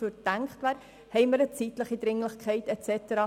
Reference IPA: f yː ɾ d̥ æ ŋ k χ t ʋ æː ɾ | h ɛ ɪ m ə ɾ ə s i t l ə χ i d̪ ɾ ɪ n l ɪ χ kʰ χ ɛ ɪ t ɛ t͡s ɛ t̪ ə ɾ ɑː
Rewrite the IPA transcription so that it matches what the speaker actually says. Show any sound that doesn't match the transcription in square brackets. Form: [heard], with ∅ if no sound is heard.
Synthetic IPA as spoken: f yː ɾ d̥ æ ŋ k χ t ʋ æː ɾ | h ɛ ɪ m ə ɾ ə [t͡s] i t l ə χ i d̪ ɾ ɪ [ŋ] l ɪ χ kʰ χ ɛ ɪ t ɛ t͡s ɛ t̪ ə ɾ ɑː